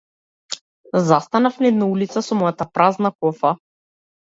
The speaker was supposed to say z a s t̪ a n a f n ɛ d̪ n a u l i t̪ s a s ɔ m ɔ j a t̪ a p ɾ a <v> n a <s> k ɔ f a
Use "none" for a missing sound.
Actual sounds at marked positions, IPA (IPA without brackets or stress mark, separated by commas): z, none